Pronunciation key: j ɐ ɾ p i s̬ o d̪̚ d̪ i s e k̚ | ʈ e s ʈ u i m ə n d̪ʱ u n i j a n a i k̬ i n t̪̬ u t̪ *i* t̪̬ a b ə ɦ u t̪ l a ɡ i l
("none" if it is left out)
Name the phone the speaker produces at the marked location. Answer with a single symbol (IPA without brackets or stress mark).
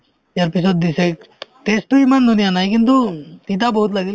i